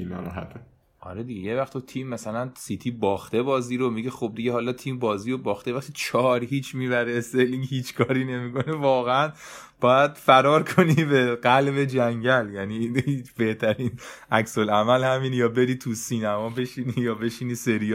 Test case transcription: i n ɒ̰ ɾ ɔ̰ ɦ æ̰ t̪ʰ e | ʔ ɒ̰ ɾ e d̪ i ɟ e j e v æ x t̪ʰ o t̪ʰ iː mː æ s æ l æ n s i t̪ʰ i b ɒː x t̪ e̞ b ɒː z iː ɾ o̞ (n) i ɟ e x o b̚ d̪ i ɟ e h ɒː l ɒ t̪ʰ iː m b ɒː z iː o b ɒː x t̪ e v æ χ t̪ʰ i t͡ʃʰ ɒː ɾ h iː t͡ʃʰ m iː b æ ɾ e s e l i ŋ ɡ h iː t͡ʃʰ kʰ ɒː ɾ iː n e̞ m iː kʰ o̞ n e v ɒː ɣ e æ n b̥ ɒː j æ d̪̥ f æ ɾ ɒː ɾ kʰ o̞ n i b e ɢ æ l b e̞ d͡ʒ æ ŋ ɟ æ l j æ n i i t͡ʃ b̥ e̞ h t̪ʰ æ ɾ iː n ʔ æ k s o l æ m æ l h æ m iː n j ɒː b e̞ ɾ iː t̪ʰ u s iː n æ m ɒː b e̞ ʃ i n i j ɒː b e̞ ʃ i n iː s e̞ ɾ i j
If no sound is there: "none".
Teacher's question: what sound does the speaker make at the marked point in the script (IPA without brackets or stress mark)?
m